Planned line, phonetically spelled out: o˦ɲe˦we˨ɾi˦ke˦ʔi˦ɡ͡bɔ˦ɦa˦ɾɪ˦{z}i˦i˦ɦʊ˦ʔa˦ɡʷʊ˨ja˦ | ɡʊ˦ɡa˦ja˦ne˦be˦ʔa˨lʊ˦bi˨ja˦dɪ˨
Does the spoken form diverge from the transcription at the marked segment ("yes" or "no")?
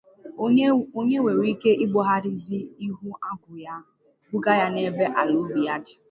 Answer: no